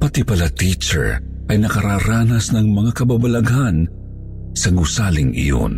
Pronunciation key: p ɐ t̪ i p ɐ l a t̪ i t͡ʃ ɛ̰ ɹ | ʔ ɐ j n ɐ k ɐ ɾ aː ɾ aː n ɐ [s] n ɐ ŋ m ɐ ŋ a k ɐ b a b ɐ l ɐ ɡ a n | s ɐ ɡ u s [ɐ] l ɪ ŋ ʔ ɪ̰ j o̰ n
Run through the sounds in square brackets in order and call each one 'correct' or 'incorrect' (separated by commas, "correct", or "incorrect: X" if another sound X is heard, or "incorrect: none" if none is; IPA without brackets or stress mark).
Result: correct, incorrect: a